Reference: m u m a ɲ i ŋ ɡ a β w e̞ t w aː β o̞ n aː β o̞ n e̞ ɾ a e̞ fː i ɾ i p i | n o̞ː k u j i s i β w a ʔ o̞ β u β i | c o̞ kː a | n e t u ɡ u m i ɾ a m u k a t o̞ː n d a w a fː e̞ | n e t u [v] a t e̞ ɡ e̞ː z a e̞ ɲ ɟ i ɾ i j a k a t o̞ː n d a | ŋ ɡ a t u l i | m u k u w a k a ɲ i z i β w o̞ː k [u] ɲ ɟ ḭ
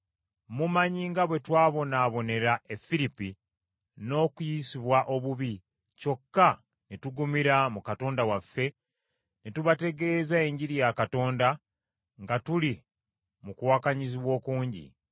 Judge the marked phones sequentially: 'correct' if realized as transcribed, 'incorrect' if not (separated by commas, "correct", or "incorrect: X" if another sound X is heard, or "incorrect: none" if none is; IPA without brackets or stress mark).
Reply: incorrect: β, incorrect: uː